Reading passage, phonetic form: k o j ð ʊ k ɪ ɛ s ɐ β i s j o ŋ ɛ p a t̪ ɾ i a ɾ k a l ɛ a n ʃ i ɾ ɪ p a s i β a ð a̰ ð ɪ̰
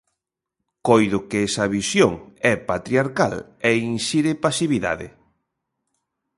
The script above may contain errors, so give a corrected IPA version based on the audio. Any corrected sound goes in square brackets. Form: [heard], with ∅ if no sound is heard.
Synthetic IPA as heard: k o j ð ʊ k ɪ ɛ s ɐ β i s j o ŋ ɛ p a t̪ ɾ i a ɾ k a l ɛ [i] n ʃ i ɾ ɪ p a s i β [i] ð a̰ ð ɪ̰

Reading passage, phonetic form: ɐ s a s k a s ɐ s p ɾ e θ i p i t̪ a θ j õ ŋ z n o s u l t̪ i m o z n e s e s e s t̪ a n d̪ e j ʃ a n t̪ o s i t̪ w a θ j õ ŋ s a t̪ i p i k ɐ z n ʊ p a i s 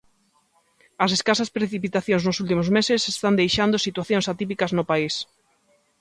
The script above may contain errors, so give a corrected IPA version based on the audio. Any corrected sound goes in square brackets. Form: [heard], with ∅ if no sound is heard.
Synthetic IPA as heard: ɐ s [e] s k a s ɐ s p ɾ e θ i p i t̪ a θ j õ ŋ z n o s u l t̪ i m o z [m] e s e s e s t̪ a n d̪ e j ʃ a n [d̪] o s i t̪ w a θ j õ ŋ s a t̪ i p i k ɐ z n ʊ p a i s

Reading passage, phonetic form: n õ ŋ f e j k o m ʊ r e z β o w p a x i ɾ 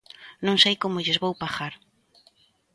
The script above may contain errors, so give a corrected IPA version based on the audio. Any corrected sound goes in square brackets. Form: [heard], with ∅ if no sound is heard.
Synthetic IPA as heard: n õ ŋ [s] e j k o m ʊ [ʎ] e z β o w p a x [a] ɾ

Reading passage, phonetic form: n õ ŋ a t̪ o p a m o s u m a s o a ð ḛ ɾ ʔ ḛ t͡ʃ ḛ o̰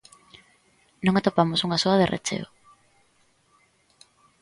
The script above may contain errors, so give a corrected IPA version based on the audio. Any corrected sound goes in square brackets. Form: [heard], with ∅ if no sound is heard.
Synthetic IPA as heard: n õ ŋ a t̪ o p a m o s u [ŋ] a s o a ð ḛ [r] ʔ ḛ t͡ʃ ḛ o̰

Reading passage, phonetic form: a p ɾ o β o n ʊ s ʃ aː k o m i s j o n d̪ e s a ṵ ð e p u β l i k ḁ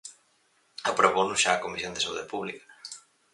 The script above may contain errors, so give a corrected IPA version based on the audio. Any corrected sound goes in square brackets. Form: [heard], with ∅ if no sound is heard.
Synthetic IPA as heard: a p ɾ o β o n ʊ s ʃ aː k o m i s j o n d̪ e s a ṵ ð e p u β l i k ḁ

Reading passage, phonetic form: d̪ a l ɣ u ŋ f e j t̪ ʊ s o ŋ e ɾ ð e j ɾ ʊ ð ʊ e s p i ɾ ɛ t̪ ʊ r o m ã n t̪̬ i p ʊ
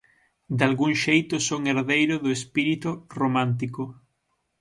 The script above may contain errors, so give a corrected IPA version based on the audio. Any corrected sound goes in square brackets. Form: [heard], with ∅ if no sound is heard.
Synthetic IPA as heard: d̪ a l ɣ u ŋ [ʃ] e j t̪ ʊ s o ŋ e ɾ ð e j ɾ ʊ ð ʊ e s p i ɾ [i] t̪ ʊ r o m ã n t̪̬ i [k] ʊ

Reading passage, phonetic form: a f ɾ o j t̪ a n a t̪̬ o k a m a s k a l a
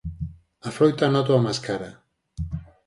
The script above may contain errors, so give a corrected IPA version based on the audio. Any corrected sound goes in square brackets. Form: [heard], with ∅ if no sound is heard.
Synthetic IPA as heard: a f ɾ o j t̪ a n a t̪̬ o [∅] a m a s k a [ɾ] a

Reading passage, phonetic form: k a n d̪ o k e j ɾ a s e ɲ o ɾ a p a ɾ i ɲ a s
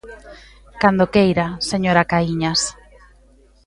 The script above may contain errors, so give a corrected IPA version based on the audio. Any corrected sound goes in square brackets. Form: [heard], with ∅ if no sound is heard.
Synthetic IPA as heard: k a n d̪ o k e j ɾ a s e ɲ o ɾ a [k] a [∅] i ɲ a s

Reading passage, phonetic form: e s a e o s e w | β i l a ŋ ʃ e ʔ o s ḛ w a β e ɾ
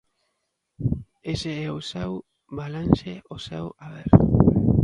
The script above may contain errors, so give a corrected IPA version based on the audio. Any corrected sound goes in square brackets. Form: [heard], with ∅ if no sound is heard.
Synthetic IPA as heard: e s [e] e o s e w | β [a] l a [n] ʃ e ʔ o s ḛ w a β e ɾ

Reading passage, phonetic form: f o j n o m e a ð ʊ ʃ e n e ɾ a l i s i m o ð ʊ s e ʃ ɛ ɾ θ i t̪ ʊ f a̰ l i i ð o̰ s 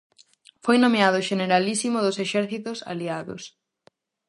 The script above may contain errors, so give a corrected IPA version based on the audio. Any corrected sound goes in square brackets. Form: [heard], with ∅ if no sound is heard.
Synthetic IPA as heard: f o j n o m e a ð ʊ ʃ e n e ɾ a l i s i m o ð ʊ s e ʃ ɛ ɾ θ i t̪ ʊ [s] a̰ l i [a] ð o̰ s

